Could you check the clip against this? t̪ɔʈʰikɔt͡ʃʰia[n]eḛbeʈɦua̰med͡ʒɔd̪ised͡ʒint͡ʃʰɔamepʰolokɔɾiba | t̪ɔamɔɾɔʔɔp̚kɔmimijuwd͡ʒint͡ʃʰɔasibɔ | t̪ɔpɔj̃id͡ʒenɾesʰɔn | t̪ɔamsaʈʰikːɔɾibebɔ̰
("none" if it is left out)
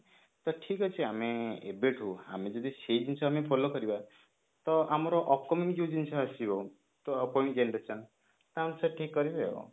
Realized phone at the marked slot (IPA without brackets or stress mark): m